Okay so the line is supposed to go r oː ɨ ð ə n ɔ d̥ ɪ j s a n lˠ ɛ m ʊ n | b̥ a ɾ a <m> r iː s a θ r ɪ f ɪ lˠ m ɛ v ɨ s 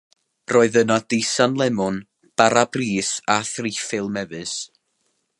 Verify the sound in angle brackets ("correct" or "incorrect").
incorrect